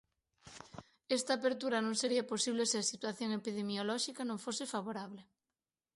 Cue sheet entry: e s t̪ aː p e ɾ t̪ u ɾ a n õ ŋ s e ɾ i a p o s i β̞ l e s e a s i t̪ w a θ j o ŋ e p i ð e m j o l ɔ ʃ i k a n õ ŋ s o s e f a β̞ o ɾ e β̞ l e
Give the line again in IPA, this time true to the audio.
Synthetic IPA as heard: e s t̪ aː p e ɾ t̪ u ɾ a n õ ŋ s e ɾ i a p o s i β̞ l e s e a s i t̪ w a θ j o ŋ e p i ð e m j o l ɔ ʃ i k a n õ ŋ f o s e f a β̞ o ɾ a β̞ l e